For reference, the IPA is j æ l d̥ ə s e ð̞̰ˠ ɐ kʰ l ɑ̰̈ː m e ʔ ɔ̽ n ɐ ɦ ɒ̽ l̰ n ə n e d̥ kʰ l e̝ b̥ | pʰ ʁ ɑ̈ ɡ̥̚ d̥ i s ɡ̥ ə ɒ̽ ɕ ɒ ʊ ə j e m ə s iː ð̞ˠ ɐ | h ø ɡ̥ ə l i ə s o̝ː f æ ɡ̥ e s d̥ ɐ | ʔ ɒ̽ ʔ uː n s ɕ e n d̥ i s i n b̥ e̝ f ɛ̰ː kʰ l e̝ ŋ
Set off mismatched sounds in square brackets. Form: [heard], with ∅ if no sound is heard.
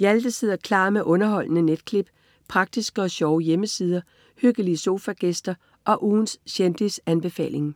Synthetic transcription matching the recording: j æ l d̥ ə s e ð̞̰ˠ ɐ kʰ l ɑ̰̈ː m e ʔ ɔ̽ n ɐ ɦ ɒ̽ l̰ n ə n e d̥ kʰ l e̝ b̥ | pʰ ʁ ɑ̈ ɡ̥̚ d̥ i s ɡ̥ ə ɒ̽ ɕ ɒ ʊ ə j e m ə s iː ð̞ˠ ɐ | h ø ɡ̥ ə l i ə s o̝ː f æ ɡ̥ e s d̥ ɐ | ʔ ɒ̽ ʔ uː n s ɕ e n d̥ i s [æ] n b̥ e̝ f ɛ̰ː [∅] l e̝ ŋ